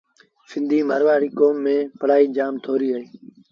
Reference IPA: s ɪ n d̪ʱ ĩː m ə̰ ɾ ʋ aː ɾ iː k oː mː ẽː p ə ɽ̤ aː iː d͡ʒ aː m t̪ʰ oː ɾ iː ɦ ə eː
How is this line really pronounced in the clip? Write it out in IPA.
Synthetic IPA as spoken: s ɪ n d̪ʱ iː m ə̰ ɾ ʋ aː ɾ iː k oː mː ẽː p ə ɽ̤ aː iː d͡ʒ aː m t̪ʰ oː ɾ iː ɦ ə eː